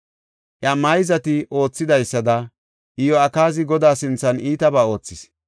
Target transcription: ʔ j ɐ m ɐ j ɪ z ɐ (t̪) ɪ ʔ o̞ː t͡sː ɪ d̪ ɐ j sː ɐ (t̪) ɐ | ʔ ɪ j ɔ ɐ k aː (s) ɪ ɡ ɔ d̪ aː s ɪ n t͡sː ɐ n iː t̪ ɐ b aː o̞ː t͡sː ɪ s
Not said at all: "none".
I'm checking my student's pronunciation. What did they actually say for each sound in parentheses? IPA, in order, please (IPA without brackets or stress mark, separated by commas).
t̪, d̪, z